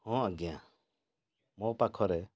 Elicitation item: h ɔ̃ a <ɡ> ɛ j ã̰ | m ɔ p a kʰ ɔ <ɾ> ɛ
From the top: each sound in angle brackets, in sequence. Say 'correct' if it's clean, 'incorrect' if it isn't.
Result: correct, correct

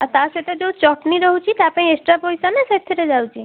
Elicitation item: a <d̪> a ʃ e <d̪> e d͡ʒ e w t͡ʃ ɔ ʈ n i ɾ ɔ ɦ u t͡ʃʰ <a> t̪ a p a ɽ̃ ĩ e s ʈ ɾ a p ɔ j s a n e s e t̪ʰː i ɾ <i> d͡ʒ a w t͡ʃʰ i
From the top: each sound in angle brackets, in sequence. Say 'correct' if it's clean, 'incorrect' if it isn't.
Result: incorrect: t̪, incorrect: t̪, incorrect: i, incorrect: e

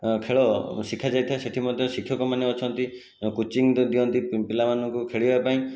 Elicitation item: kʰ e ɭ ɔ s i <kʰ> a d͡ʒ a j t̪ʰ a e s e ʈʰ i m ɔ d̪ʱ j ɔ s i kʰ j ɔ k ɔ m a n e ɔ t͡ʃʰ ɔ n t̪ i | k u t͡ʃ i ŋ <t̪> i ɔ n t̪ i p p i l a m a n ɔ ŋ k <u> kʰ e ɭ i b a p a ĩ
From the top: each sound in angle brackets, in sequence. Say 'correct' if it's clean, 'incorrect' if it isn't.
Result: correct, incorrect: d̪, correct

